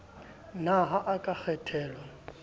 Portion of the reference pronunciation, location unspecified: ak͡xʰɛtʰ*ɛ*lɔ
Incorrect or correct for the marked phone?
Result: incorrect: ɛː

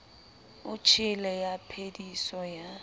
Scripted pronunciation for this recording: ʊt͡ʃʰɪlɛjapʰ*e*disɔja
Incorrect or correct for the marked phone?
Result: correct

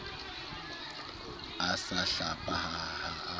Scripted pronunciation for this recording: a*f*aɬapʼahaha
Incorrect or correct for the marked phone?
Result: incorrect: s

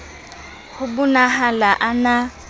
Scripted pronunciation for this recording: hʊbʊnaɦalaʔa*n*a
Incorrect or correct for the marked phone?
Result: correct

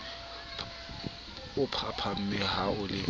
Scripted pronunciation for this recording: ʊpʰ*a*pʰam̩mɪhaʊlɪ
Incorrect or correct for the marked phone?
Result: correct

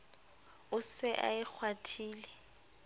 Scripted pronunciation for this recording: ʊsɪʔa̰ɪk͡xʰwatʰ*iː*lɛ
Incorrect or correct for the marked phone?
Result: correct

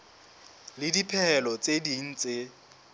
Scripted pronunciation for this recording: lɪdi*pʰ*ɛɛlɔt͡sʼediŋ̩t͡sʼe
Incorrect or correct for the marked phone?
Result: correct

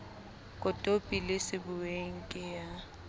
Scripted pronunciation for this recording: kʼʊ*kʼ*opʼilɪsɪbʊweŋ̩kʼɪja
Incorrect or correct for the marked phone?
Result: incorrect: tʼ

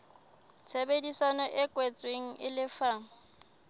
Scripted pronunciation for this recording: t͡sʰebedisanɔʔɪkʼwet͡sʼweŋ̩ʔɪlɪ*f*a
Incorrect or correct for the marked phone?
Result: correct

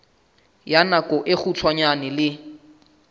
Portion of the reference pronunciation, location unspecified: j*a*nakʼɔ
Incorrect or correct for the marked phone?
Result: correct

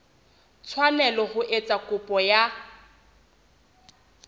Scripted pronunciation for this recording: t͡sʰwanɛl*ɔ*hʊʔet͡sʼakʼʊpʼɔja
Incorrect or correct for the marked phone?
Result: correct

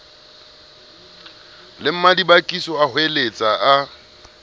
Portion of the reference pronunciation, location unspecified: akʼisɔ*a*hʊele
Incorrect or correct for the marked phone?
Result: correct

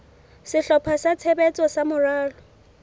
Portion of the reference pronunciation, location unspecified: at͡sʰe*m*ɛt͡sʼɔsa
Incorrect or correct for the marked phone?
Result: incorrect: b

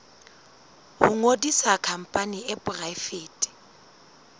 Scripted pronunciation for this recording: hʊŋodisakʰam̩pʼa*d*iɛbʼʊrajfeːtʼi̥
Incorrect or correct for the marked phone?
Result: incorrect: n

